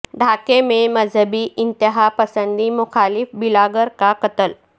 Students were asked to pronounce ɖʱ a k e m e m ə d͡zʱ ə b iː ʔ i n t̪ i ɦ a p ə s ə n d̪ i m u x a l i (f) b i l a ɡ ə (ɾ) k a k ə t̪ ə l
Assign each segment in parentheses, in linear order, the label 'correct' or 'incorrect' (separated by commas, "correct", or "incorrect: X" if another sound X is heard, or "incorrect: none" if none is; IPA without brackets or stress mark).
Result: correct, correct